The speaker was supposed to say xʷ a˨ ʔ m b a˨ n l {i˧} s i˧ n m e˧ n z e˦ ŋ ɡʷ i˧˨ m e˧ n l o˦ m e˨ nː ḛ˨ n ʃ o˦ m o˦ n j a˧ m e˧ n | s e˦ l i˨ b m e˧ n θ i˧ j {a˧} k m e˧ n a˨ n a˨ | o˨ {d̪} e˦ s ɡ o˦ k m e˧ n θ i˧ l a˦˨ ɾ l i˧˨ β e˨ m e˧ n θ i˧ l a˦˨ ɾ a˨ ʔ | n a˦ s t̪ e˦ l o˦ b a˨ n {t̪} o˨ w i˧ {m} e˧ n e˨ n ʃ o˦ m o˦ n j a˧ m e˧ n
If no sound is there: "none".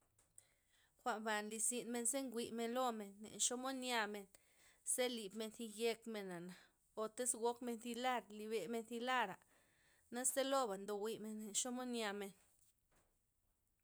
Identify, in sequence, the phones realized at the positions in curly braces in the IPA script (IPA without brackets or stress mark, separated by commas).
i˧, e˧, t̪, d̪, m